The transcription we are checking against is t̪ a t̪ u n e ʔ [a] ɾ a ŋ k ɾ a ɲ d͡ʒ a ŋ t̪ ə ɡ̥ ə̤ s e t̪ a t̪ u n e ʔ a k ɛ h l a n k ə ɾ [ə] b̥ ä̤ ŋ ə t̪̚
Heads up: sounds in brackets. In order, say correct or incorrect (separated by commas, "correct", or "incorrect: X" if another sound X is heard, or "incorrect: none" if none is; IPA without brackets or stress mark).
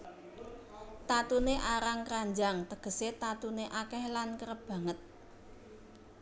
correct, correct